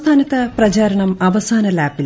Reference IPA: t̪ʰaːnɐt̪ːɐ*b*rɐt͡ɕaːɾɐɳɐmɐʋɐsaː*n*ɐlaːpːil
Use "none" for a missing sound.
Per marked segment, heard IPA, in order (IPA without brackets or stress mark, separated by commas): p, n